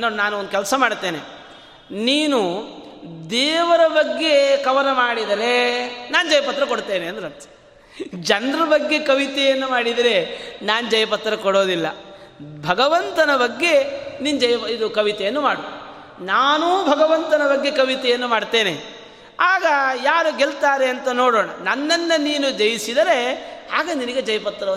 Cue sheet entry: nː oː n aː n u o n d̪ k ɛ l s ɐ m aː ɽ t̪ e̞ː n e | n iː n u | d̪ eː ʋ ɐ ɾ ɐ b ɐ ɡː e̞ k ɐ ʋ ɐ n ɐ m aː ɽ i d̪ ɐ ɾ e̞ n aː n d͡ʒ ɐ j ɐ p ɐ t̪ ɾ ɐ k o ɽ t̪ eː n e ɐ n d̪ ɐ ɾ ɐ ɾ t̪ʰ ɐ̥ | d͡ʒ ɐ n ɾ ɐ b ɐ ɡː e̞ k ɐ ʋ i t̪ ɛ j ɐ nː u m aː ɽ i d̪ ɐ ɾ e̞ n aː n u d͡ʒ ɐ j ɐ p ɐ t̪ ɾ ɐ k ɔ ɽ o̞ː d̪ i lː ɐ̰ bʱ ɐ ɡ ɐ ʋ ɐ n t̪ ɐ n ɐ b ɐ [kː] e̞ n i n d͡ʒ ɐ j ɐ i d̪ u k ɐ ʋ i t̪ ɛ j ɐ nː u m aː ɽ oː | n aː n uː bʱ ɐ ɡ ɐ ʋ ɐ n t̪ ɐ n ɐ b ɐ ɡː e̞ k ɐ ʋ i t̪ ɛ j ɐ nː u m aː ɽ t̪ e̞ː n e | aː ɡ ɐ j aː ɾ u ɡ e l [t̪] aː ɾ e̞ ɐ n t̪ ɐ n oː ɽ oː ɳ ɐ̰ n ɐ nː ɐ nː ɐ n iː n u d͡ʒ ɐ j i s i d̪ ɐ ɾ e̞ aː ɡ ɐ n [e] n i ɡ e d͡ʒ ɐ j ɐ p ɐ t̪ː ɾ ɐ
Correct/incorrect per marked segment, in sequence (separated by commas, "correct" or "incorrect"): incorrect, correct, incorrect